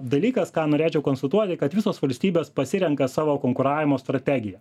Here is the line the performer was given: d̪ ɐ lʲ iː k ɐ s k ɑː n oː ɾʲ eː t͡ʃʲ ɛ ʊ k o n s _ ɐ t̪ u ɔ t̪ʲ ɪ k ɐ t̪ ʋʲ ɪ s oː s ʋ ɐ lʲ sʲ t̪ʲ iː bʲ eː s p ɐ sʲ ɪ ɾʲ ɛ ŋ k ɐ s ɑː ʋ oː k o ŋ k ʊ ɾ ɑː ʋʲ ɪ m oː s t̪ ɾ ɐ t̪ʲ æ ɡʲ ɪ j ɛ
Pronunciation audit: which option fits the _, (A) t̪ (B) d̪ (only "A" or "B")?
A